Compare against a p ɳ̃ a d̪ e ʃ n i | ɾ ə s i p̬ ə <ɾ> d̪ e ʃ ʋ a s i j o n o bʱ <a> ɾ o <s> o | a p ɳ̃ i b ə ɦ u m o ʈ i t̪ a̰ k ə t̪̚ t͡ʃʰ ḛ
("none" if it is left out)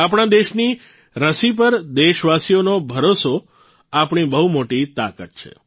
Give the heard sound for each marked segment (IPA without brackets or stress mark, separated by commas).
ɾ, ə, s